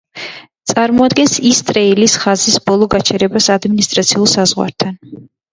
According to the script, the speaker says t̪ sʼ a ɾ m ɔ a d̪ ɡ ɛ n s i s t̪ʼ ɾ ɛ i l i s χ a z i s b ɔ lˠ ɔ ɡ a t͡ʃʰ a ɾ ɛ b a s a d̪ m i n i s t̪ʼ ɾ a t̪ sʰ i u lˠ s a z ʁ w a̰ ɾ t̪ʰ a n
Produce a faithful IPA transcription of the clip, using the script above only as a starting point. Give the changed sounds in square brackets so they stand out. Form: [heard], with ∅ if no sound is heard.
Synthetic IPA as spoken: t̪ sʼ a ɾ m ɔ a d̪ ɡ ɛ n s i s t̪ʼ ɾ ɛ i l i s χ a z i s b ɔ lˠ ɔ ɡ a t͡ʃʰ [ɛ] ɾ ɛ b a s a d̪ m i n i s t̪ʼ ɾ a t̪ sʰ i u lˠ s a z ʁ w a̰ ɾ t̪ʰ a n